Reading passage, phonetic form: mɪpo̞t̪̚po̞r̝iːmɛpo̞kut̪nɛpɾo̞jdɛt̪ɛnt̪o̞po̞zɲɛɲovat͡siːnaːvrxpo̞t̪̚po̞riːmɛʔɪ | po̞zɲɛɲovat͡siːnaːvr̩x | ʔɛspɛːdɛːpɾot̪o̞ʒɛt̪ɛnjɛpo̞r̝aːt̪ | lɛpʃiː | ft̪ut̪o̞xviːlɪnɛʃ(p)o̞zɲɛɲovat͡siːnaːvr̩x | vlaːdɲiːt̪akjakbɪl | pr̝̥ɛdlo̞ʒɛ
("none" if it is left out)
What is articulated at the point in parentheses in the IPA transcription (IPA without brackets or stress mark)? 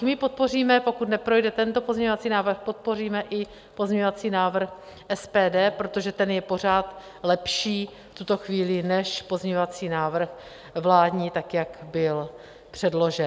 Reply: p